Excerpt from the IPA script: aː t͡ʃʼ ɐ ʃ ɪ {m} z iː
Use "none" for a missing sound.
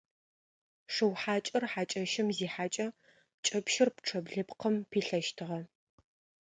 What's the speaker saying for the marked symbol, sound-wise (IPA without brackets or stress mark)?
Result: m